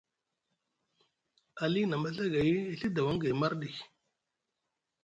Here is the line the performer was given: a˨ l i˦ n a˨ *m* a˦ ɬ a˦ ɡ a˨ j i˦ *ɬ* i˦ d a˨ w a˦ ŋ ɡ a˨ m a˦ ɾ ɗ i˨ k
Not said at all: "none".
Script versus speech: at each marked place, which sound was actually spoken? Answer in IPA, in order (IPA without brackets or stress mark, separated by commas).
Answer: m, ɬ